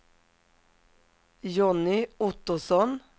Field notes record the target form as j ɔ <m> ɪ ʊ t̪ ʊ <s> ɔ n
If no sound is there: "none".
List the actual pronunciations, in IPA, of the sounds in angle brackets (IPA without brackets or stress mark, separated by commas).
n, s